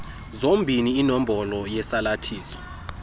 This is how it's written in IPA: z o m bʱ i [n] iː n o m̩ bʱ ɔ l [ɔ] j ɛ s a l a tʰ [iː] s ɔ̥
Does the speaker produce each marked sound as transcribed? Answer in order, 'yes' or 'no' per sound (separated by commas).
yes, yes, yes